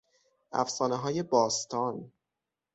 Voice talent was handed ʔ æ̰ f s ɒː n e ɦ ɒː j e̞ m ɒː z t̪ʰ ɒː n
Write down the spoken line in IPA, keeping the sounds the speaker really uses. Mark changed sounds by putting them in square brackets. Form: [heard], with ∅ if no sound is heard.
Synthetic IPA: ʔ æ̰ f s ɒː n e ɦ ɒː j e̞ [b] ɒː [s] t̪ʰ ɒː n